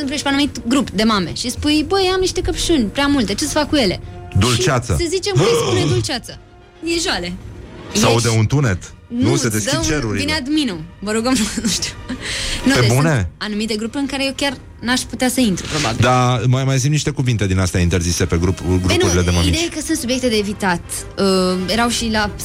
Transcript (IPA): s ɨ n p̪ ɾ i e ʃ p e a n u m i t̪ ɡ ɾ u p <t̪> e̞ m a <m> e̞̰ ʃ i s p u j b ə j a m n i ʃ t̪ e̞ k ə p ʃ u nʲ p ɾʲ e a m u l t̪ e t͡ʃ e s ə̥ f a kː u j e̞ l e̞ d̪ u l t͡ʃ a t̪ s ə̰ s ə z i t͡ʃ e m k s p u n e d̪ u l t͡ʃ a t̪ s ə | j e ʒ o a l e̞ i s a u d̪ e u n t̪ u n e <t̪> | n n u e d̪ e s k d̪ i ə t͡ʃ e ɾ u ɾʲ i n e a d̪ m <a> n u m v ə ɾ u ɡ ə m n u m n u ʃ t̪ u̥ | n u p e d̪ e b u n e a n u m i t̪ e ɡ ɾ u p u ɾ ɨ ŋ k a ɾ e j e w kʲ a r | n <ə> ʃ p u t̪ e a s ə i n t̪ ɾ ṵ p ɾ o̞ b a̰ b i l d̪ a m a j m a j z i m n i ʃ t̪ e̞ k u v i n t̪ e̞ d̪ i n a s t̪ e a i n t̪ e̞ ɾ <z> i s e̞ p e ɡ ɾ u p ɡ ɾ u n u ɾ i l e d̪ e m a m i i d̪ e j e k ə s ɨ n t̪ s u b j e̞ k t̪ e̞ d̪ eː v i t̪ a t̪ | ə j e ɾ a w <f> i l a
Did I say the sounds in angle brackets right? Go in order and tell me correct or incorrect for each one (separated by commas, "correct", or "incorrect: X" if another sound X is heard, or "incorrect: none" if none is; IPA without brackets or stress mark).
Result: incorrect: d̪, correct, correct, incorrect: i, incorrect: a, correct, incorrect: ʃ